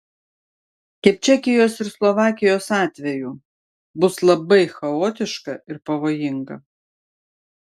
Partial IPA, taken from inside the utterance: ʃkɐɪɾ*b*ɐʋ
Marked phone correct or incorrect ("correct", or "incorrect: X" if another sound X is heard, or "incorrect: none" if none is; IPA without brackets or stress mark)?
incorrect: p